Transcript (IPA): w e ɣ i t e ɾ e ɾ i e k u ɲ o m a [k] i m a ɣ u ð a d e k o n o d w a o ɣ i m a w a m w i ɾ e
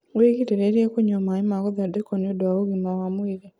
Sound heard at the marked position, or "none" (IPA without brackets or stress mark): none